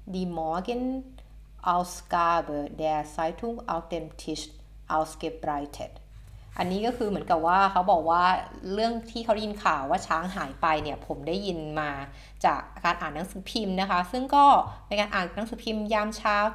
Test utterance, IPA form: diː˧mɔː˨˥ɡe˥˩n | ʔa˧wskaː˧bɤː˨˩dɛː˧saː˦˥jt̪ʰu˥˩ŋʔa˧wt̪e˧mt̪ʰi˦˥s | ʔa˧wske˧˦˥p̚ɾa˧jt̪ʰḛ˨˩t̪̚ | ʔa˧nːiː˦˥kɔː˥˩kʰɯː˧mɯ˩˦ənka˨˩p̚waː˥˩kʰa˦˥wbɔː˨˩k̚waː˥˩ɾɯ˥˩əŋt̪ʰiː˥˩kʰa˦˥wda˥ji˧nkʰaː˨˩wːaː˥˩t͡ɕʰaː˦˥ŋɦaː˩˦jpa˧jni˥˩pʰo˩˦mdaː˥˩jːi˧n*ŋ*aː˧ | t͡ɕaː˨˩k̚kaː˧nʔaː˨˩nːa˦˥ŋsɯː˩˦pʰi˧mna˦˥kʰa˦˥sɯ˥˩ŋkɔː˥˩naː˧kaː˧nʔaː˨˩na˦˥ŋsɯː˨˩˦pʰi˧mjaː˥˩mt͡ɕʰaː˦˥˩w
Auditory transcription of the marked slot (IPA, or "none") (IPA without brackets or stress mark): m